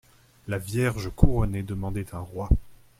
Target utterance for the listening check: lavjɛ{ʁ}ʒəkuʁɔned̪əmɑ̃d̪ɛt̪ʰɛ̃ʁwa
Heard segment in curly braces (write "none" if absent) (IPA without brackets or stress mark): ʁ